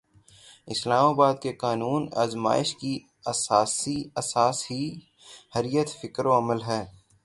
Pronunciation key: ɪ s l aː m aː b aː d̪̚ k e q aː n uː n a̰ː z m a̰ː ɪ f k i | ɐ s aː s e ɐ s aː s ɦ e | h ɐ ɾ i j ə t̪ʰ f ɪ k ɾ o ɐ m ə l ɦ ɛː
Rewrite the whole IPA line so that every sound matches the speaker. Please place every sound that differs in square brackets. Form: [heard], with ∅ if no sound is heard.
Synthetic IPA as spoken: ɪ s l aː m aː b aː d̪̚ k e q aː n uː n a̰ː z m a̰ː ɪ [ʃ] k i | ɐ s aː s [i] ɐ s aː s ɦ [i] | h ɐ ɾ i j ə [t̪] f ɪ k ɾ o ɐ m ə l ɦ ɛː